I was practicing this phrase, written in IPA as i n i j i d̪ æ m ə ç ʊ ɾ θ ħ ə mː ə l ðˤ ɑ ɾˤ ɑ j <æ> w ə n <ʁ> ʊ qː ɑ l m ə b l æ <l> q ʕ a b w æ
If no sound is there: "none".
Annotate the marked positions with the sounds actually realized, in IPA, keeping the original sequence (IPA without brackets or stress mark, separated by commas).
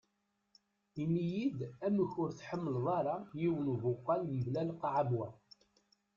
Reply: i, v, l